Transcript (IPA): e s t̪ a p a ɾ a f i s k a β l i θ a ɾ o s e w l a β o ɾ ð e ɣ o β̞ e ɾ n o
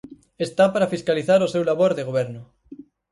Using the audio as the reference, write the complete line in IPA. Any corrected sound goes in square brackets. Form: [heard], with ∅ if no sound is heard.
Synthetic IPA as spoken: e s t̪ a p a ɾ a f i s k a [∅] l i θ a ɾ o s e w l a β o ɾ ð e ɣ o β̞ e ɾ n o